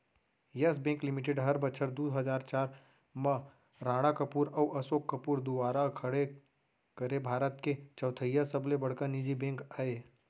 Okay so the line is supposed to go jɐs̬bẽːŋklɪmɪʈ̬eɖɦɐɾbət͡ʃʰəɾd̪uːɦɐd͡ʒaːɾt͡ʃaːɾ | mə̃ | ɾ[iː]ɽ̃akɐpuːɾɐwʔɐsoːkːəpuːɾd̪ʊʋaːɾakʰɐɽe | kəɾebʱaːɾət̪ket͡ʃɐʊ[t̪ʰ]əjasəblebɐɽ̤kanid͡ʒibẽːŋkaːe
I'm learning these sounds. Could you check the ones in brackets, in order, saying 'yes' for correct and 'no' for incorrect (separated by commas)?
no, yes